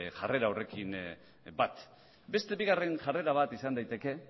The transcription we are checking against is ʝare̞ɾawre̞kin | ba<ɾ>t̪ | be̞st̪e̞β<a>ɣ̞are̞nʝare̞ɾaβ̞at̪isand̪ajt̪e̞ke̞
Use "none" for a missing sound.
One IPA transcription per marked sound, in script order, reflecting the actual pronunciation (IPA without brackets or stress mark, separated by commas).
none, i